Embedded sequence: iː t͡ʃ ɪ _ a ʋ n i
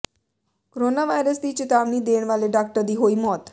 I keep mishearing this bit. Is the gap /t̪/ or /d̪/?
t̪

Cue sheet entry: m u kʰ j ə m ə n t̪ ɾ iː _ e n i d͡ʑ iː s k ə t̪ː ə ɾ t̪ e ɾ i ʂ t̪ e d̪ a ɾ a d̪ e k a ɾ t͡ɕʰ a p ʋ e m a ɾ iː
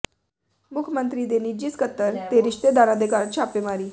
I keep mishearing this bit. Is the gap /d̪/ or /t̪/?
d̪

